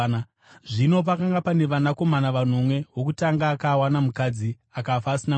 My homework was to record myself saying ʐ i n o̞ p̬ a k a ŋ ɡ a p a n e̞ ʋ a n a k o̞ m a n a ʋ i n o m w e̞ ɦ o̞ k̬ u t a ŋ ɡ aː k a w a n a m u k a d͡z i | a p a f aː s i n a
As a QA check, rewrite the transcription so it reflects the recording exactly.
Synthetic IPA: ʐ i n o̞ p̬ a k a ŋ ɡ a p a n e̞ ʋ a n a k o̞ m a n a ʋ a n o m w e̞ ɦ o̞ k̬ u t a ŋ ɡ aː k a w a n a m u k a d͡z i | a k a f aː s i n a